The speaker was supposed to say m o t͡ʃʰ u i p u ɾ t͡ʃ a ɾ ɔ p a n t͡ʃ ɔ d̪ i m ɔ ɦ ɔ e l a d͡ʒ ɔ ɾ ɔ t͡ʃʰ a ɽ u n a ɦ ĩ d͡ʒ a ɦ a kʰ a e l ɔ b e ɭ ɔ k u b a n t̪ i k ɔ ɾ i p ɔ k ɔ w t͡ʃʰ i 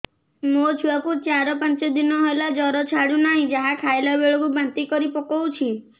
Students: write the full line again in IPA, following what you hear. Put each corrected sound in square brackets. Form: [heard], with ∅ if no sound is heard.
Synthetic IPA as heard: m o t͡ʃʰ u [a] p u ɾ t͡ʃ a ɾ ɔ p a n t͡ʃ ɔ d̪ i [n] ɔ ɦ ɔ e l a d͡ʒ ɔ ɾ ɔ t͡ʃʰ a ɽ u n a ɦ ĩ d͡ʒ a ɦ a kʰ a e l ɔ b e ɭ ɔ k u b a n t̪ i k ɔ ɾ i p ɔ k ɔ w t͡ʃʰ i

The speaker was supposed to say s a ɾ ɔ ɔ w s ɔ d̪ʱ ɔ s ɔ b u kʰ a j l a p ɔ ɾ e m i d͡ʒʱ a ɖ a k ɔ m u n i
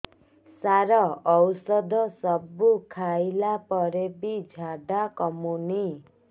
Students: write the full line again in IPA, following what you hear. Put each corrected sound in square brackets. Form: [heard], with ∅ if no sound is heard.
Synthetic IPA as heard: s a ɾ ɔ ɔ w s ɔ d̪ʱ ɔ s ɔ b u kʰ a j l a p ɔ ɾ e [b] i d͡ʒʱ a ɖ a k ɔ m u n i

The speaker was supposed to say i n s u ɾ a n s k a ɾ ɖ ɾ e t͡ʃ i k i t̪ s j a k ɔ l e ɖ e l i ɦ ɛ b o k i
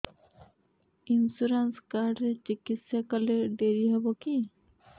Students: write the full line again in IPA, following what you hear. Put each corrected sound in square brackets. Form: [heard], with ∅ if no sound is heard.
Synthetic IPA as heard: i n s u ɾ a n s k a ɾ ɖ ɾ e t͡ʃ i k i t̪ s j a k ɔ l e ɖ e [ɾ] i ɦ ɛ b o k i

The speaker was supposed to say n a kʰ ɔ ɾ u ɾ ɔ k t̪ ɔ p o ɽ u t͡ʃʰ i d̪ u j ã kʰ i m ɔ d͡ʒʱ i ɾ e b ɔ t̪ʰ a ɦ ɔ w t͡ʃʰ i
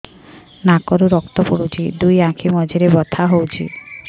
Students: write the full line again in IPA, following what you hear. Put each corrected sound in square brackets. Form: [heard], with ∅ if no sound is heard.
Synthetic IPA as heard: n a [k] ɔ ɾ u ɾ ɔ k t̪ ɔ p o ɽ u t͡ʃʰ i d̪ u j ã kʰ i m ɔ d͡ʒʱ i ɾ e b ɔ t̪ʰ a ɦ [o] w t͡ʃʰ i

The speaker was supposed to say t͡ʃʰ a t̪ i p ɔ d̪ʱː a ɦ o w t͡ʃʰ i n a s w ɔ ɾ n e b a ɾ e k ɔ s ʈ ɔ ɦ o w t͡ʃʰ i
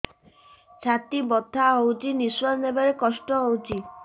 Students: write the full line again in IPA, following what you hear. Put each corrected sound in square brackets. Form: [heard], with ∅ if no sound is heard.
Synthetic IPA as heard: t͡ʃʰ a t̪ i [b] ɔ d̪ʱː a ɦ o w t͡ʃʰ i n [i] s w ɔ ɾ n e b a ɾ e k ɔ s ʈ ɔ ɦ o w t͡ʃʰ i

